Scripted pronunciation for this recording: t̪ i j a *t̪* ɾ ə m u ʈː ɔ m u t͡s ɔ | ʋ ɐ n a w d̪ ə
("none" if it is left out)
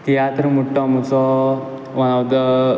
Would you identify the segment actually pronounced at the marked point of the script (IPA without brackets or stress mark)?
t̪